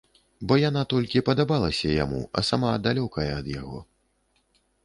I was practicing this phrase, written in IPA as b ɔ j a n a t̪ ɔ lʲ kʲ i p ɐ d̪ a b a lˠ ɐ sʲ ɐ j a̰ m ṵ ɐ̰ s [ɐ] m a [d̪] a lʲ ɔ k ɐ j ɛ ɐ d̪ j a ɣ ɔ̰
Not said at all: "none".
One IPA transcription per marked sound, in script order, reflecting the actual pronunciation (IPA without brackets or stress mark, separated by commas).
a, d̪